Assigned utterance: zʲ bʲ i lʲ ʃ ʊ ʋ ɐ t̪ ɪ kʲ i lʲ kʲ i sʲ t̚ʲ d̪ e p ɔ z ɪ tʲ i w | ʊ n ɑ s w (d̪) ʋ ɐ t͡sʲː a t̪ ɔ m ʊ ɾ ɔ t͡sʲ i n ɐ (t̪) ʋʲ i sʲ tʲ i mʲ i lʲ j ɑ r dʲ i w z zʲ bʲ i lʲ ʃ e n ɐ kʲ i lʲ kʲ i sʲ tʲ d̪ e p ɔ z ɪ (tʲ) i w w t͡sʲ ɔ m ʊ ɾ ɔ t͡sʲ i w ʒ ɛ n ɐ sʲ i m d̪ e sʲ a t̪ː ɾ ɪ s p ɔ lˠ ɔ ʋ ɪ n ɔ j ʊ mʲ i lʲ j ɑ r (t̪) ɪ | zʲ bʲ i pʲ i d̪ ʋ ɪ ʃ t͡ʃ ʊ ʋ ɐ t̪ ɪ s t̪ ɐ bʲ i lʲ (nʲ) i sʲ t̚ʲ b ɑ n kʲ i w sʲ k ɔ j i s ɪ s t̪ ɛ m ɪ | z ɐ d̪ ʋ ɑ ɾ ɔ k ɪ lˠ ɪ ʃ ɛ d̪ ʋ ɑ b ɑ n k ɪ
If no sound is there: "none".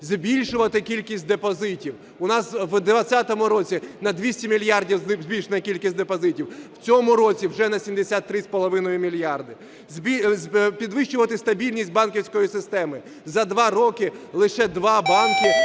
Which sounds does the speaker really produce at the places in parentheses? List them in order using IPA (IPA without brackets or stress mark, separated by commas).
d̪, d̪, tʲ, d̪, nʲ